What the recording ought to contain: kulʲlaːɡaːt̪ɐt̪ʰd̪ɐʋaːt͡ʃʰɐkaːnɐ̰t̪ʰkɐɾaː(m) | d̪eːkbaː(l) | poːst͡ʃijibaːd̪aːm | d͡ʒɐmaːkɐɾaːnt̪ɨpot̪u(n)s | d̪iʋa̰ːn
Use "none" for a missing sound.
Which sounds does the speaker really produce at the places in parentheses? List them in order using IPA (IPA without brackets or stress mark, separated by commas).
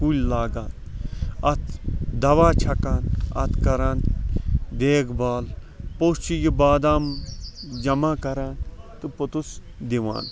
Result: n, l, none